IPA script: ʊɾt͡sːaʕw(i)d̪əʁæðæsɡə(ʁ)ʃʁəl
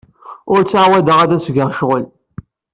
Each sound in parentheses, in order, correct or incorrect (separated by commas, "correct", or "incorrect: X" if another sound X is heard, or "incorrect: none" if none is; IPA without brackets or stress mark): incorrect: æ, correct